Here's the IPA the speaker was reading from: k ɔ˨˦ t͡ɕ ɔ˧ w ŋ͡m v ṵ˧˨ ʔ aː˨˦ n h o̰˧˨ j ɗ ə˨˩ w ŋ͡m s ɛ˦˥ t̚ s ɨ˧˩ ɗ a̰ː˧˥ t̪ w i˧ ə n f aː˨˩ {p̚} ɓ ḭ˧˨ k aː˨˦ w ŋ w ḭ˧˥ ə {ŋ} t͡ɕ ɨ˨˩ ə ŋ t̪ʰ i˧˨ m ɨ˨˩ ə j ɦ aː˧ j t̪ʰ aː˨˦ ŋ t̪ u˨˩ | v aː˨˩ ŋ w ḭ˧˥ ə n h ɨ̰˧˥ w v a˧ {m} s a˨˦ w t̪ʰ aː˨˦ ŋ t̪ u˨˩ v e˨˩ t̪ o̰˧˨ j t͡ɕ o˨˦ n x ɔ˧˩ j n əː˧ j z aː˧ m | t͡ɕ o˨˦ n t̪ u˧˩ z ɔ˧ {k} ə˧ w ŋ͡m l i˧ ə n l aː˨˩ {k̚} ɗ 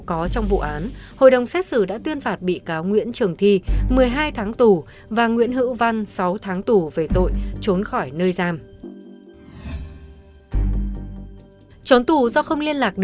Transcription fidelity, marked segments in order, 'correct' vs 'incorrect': incorrect: t̚, incorrect: n, incorrect: n, incorrect: x, correct

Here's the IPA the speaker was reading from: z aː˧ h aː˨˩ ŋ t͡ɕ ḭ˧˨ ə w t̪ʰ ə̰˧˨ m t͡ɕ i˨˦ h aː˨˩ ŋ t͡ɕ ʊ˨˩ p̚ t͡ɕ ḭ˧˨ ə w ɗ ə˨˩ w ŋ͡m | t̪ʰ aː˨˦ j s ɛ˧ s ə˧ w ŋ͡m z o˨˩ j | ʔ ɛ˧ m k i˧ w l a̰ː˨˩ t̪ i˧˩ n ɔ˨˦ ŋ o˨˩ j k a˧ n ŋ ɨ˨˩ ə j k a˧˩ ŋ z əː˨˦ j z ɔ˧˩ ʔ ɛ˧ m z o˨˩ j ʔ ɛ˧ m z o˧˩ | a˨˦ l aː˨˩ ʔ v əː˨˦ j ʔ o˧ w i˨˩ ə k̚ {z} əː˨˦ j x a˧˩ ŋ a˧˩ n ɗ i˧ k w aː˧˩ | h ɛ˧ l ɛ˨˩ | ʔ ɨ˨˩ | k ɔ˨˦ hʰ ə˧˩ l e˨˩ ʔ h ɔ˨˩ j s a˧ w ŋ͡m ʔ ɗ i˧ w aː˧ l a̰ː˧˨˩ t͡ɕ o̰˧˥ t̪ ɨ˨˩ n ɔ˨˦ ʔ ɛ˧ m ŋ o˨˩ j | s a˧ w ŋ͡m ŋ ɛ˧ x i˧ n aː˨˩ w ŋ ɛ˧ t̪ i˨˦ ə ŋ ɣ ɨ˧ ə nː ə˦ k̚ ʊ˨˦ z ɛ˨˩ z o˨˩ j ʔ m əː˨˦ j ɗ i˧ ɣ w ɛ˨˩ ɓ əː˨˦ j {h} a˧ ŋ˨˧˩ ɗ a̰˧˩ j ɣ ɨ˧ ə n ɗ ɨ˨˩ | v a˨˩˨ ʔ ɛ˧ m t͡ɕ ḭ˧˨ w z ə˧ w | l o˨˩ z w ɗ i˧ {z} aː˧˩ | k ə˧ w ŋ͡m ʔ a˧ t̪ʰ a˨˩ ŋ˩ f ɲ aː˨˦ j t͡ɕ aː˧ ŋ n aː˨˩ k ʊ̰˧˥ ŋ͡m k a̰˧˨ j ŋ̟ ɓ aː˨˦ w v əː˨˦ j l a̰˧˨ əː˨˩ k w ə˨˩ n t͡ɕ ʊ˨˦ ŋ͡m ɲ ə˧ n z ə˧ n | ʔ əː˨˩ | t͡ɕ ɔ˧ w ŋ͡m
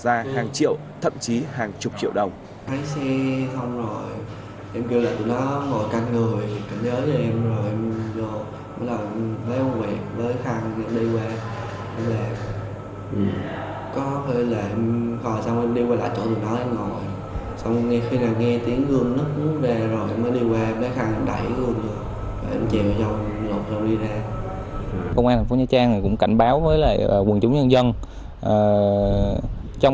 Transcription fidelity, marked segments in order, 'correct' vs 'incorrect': incorrect: v, incorrect: x, correct

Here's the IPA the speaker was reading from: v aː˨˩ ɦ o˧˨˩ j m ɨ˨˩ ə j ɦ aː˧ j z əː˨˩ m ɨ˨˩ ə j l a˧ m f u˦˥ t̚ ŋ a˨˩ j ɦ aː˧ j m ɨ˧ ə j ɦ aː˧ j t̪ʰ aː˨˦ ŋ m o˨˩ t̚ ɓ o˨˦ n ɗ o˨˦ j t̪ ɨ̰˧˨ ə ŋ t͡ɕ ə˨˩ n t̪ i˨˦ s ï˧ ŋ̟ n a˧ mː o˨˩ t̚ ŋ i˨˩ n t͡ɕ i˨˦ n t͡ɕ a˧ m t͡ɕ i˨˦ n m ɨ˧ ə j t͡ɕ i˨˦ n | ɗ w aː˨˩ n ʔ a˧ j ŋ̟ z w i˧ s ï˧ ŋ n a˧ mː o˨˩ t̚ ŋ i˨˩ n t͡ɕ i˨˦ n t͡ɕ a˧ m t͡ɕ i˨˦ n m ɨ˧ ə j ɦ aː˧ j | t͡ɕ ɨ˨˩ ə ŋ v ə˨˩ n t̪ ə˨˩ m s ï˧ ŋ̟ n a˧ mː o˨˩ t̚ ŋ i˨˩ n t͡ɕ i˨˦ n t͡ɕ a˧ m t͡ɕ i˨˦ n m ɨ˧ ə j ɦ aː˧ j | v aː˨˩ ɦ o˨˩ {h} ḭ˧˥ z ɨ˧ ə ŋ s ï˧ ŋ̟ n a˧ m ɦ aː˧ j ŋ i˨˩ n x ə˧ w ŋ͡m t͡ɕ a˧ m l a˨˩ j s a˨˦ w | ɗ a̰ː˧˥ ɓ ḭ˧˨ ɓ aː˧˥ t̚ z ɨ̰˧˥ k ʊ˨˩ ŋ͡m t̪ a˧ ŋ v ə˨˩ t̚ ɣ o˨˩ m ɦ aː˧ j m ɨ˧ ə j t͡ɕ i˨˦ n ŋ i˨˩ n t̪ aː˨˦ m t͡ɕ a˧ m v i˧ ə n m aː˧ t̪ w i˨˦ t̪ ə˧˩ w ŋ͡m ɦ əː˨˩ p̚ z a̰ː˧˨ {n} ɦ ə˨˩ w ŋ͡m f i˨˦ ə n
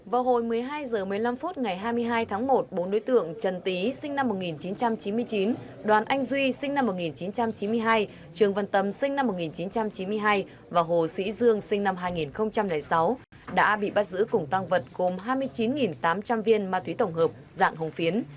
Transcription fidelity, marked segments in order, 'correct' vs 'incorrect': incorrect: s, incorrect: ŋ

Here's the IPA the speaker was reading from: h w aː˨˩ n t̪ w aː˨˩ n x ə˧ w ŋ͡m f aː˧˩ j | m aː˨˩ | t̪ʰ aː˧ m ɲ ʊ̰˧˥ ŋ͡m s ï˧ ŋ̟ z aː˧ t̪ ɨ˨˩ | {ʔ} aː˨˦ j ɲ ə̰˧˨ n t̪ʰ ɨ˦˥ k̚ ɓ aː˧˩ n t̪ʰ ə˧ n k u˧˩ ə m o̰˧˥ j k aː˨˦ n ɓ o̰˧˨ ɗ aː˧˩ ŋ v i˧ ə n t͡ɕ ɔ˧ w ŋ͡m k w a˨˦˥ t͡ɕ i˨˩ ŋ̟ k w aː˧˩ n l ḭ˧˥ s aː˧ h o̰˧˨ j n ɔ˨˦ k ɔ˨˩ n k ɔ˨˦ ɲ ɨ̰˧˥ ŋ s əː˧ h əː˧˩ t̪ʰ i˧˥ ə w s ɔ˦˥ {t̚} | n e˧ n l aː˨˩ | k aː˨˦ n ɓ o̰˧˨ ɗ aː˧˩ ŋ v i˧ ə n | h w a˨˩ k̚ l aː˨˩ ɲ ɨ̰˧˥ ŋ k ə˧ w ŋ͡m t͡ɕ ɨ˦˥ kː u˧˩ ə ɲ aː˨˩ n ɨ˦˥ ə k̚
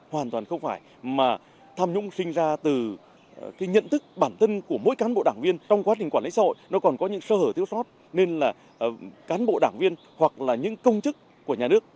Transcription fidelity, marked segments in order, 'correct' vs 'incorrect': incorrect: k, correct

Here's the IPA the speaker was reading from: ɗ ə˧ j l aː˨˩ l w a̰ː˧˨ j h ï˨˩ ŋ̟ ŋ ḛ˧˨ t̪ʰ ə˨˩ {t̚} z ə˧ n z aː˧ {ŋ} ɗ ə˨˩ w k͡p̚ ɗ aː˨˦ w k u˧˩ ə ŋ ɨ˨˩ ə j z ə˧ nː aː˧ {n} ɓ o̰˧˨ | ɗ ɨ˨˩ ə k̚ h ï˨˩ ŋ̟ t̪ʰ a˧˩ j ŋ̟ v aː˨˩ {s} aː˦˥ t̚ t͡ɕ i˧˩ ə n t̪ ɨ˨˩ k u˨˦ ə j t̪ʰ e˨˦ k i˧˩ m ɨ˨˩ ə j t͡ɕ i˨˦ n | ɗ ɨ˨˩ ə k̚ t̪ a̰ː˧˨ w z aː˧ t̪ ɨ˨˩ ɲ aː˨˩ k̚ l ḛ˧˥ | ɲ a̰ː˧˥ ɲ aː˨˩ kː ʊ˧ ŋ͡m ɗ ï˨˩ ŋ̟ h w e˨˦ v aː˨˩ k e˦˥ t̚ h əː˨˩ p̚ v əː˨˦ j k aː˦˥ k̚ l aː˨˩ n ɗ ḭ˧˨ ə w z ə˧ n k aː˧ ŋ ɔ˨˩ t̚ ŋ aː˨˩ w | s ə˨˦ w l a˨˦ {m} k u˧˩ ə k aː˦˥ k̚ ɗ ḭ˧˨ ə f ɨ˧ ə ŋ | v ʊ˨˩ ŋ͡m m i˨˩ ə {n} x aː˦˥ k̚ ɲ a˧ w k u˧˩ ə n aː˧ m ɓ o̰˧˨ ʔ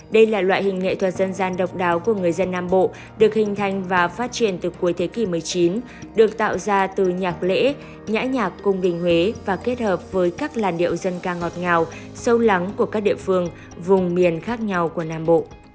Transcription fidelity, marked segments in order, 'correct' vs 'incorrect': correct, incorrect: n, incorrect: m, incorrect: f, incorrect: ŋ, correct

